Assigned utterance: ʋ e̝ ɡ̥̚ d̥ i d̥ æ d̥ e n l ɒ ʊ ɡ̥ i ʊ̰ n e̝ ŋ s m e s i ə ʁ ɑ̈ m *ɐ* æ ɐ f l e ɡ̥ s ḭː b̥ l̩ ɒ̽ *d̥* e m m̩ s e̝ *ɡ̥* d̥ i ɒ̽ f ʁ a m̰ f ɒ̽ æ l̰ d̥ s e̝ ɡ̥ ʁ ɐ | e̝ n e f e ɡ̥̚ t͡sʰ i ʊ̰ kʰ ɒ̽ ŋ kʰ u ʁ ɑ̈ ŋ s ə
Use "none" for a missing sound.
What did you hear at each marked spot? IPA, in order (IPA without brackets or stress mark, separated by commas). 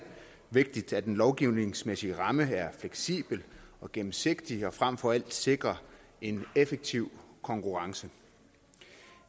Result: ə, ɡ̥, ɡ̥